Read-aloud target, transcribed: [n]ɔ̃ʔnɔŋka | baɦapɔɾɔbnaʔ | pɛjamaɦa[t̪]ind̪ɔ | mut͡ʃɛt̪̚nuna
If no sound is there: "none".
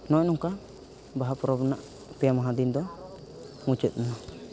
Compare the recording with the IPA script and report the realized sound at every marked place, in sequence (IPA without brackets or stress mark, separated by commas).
n, d̪